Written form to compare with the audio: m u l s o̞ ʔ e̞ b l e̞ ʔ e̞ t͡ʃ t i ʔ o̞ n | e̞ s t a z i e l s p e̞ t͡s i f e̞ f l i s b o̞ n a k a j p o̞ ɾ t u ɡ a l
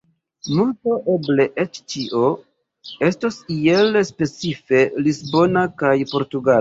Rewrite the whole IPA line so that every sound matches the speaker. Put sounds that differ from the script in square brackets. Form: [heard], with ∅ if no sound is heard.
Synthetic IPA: m u l [t] o̞ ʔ e̞ b l e̞ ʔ e̞ t͡ʃ [t͡ʃ] i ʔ o̞ [∅] | e̞ s t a [s] i e l s p e̞ t͡s i f e̞ [∅] l i s b o̞ n a k a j p o̞ ɾ t u ɡ a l